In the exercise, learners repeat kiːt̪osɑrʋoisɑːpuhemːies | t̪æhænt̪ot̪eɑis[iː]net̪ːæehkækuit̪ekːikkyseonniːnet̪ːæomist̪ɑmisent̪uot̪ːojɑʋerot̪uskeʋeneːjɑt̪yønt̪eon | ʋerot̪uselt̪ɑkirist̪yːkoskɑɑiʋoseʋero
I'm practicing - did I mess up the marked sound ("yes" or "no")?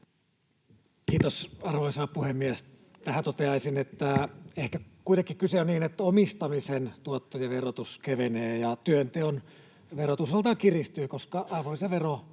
yes